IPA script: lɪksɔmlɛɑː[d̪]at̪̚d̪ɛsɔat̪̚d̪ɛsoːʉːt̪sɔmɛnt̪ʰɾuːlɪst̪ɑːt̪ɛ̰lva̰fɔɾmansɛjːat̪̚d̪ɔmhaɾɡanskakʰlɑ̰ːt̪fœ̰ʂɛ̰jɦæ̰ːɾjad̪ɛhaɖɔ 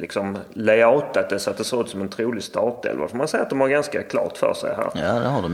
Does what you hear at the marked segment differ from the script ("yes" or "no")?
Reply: yes